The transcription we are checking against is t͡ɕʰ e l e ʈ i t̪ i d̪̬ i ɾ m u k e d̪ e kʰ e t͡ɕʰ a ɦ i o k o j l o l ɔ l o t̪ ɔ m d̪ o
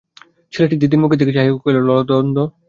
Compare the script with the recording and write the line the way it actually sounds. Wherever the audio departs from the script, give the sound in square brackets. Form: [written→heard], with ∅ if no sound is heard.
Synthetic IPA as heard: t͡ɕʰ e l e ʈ i [t̪→d̪] i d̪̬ i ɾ m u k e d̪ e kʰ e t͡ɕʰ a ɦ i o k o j l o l ɔ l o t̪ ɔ [m→n] d̪ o